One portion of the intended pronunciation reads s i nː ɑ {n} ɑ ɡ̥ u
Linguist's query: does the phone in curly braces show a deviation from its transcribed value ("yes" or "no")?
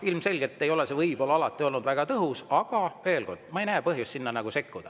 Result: no